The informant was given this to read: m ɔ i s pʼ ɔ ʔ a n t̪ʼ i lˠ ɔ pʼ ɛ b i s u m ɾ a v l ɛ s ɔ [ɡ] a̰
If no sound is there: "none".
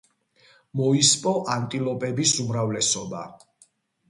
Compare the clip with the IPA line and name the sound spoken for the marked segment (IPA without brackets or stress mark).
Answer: b